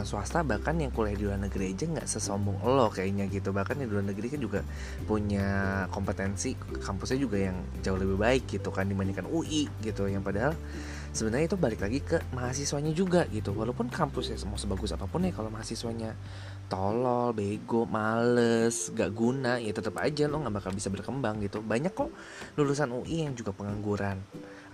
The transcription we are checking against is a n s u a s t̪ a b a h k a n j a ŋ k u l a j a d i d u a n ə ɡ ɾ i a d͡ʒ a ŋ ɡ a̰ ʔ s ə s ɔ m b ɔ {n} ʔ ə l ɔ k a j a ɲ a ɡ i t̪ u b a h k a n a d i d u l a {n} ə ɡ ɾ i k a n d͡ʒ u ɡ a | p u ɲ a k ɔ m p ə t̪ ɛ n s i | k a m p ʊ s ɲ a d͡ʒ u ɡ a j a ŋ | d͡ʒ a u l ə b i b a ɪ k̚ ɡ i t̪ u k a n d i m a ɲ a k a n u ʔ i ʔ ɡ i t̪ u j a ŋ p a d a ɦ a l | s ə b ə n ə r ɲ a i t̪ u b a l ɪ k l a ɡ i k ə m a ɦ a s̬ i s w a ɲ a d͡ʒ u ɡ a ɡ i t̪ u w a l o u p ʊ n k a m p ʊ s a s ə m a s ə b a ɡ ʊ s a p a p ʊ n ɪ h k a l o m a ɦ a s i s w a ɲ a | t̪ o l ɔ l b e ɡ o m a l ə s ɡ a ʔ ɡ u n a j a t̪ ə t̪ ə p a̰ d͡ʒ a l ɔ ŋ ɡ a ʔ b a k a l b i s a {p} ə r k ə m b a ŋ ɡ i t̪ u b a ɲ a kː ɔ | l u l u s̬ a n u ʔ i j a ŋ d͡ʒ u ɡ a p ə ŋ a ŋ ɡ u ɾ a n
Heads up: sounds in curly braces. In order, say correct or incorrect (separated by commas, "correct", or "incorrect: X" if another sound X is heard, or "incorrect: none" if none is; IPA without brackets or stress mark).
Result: incorrect: ŋ, correct, incorrect: b